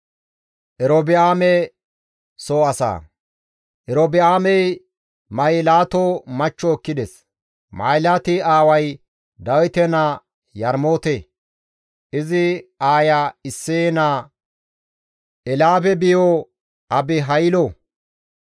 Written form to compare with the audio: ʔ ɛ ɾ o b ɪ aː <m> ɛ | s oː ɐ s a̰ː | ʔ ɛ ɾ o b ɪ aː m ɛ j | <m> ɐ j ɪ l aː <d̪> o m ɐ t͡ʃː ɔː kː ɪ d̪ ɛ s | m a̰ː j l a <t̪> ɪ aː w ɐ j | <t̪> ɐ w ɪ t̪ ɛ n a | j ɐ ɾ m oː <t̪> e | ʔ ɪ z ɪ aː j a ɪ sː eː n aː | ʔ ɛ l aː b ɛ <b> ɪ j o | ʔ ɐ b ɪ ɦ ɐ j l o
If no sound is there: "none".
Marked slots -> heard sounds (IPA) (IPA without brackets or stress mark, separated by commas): m, m, t̪, t̪, d̪, t̪, b